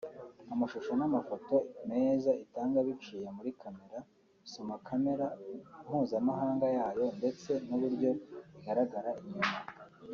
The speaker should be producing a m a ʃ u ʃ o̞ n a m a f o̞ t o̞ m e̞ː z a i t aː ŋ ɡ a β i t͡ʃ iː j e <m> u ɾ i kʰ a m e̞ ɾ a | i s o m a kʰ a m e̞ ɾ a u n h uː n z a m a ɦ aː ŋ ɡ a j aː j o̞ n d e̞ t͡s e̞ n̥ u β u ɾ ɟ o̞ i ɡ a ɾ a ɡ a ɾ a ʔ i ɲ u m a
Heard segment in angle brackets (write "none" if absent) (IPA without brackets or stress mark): m